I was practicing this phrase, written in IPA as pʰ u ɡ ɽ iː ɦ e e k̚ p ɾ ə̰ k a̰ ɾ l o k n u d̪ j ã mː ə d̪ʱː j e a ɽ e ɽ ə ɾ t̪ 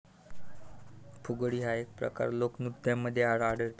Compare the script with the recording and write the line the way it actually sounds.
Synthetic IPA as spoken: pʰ u ɡ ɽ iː ɦ a e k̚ p ɾ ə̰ k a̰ ɾ l o k n u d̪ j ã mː ə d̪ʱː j e a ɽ a ɽ ə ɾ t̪